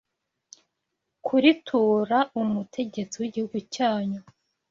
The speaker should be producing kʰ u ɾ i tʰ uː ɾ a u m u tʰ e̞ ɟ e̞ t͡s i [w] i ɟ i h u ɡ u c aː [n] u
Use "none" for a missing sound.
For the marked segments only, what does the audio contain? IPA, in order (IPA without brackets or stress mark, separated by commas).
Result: w, ɲ